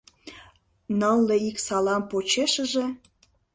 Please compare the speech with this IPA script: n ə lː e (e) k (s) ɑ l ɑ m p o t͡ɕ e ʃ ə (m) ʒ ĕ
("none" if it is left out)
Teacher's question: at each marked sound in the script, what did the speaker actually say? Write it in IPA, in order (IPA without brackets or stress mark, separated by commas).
i, s, none